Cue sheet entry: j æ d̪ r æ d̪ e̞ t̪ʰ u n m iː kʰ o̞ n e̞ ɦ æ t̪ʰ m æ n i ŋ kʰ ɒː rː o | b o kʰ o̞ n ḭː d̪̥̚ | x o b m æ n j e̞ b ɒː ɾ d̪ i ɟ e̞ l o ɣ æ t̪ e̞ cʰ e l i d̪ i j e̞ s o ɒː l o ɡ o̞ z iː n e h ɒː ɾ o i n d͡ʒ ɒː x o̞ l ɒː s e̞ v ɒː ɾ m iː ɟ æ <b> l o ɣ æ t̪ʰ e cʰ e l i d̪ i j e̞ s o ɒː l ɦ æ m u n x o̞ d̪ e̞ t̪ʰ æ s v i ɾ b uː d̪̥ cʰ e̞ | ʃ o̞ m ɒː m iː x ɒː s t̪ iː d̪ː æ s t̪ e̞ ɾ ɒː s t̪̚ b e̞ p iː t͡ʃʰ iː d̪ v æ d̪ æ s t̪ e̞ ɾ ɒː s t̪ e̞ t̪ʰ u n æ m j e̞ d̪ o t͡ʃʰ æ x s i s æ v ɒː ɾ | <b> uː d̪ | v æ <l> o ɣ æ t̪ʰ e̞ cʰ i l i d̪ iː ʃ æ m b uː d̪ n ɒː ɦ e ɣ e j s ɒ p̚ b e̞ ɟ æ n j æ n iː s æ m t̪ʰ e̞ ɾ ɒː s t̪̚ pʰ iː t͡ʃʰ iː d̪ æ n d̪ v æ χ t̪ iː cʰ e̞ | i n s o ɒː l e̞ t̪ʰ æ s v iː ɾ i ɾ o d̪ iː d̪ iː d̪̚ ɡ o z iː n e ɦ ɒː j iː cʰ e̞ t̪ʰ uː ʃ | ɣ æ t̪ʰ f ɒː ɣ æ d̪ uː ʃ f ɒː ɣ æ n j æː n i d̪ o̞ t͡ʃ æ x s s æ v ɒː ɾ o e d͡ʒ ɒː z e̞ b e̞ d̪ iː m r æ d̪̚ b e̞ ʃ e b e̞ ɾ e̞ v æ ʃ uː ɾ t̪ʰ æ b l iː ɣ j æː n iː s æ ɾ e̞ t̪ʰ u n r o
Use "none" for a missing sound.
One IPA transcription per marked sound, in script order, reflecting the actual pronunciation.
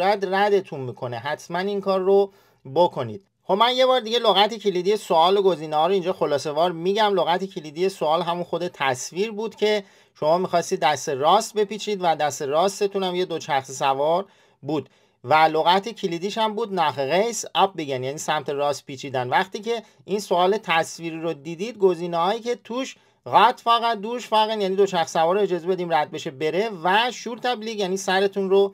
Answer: m, b, l

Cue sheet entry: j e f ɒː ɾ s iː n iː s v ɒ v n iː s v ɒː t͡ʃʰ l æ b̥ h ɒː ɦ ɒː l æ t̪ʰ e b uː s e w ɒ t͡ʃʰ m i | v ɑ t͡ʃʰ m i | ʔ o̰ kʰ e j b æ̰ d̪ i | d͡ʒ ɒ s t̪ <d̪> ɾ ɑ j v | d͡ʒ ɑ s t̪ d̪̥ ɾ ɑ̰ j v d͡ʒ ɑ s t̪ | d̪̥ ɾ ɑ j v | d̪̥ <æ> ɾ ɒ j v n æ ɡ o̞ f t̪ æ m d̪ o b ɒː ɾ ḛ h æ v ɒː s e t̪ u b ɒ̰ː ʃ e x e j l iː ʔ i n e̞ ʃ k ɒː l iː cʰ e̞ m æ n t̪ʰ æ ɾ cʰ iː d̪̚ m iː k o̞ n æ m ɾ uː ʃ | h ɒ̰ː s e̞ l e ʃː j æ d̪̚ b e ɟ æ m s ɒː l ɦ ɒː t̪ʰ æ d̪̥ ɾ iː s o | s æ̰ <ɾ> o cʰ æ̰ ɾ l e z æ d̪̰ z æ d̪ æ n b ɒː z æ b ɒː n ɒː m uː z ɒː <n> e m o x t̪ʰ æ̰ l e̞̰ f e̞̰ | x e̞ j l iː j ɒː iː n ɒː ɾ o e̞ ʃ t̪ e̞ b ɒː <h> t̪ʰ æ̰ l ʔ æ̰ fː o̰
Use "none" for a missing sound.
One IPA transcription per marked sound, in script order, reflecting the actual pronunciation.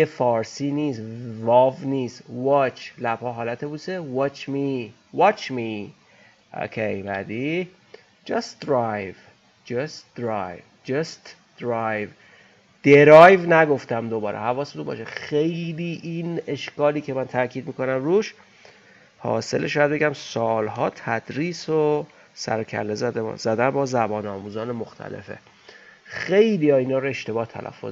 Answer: d̪, e, ɾ, n, h

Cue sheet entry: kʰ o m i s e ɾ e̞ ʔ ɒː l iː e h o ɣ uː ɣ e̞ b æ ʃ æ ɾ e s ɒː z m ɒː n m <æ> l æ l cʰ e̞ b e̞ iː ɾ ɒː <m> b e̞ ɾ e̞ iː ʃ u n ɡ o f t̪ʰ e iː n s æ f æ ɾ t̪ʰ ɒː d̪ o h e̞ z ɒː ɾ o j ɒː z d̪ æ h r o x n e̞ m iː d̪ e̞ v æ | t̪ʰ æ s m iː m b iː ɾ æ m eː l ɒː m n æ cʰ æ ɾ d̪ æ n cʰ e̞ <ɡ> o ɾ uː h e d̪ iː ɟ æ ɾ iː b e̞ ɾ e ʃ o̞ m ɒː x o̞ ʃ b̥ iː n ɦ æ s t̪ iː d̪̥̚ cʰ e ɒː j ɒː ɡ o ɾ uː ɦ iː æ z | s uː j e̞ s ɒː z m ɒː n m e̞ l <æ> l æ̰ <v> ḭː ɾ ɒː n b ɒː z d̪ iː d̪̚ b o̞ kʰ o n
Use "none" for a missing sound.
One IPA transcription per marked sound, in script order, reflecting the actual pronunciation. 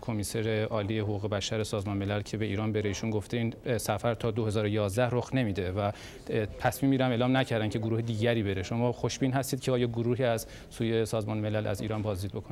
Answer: e, n, ɡ, æ, z

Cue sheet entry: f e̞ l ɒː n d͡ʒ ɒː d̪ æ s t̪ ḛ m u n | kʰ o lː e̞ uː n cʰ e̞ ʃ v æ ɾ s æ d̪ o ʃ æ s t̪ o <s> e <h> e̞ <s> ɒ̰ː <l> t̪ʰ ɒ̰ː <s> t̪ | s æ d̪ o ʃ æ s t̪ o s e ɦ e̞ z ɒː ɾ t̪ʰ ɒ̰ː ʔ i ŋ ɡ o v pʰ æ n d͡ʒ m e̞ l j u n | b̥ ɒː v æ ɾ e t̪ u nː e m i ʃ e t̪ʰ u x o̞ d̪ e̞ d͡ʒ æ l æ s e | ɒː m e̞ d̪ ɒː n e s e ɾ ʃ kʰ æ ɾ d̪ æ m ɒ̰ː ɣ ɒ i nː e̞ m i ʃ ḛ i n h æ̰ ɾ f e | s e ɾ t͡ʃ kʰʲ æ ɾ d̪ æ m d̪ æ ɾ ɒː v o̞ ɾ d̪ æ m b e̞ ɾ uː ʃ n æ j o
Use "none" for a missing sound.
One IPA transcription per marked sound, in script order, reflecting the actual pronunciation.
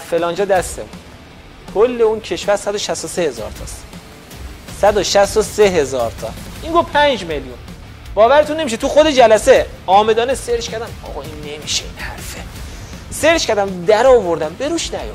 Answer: s, h, z, ɾ, s

